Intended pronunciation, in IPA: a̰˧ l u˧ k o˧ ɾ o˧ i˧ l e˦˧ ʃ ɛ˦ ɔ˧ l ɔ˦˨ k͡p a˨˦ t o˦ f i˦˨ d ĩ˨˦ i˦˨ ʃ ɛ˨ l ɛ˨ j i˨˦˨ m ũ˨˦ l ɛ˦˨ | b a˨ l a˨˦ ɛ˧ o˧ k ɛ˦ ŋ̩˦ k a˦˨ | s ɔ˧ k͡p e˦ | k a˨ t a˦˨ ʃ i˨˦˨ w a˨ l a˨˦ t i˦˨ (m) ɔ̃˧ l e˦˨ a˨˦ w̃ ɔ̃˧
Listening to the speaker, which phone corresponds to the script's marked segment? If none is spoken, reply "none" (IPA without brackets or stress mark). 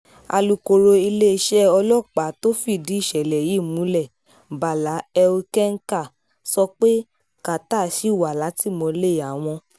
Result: m